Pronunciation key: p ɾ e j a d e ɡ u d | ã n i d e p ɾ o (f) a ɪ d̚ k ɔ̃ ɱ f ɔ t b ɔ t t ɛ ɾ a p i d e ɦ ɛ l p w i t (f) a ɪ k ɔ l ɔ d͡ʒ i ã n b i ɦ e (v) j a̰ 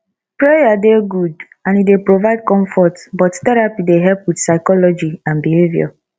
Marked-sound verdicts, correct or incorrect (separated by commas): incorrect, incorrect, correct